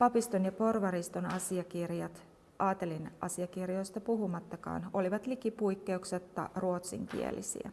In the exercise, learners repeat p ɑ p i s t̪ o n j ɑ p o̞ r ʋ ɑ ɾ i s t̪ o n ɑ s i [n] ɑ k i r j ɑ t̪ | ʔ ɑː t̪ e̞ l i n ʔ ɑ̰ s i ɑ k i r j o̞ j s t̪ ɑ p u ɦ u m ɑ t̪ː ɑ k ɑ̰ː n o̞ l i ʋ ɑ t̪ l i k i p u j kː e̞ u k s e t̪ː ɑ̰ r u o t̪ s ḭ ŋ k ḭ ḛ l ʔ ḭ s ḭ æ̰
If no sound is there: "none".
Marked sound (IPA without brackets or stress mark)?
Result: none